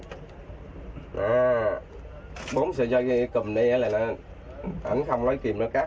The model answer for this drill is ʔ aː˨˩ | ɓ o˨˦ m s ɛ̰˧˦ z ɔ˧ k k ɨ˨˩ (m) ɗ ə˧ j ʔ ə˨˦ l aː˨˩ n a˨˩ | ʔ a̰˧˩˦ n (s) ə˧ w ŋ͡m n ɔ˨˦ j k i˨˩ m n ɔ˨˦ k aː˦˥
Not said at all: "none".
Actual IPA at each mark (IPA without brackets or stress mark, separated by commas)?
m, x